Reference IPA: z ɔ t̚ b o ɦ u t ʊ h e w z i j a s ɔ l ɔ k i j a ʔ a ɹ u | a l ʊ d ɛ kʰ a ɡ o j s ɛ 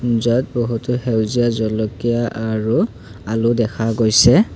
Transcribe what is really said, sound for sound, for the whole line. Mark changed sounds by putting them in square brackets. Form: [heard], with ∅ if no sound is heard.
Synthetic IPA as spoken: z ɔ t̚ b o ɦ u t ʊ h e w z i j a [z] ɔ l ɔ k i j a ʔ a ɹ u | a l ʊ d ɛ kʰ a ɡ o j s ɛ